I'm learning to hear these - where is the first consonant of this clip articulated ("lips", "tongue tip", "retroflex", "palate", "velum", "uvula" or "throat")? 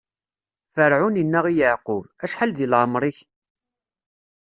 lips